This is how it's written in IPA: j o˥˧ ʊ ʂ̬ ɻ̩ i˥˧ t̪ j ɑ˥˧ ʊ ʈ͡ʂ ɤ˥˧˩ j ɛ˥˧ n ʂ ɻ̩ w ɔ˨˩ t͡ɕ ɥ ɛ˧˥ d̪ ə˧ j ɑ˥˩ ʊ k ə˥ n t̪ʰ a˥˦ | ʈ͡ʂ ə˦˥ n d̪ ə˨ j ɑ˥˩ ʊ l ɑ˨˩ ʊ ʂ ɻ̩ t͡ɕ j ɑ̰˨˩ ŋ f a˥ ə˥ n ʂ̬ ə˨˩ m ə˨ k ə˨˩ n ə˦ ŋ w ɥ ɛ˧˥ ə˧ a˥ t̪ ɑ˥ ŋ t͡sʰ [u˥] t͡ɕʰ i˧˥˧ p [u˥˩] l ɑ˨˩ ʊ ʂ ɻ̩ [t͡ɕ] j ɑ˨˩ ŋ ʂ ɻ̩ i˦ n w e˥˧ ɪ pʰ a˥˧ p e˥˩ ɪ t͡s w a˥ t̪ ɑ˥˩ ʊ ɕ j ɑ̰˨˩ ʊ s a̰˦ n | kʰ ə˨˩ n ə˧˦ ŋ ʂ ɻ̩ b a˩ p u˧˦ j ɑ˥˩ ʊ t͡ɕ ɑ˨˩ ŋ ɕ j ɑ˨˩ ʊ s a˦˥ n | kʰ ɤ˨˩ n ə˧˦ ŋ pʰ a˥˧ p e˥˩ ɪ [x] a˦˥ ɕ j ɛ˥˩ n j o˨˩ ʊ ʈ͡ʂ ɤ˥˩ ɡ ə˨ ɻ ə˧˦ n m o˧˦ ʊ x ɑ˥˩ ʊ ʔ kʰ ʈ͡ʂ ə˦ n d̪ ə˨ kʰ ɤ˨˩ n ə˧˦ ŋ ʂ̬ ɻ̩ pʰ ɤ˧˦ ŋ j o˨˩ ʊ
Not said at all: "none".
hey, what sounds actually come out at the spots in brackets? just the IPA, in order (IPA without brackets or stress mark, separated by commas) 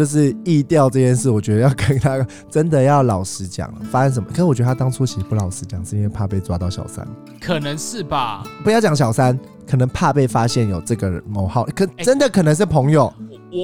u˥, u˧, t͡ɕ, f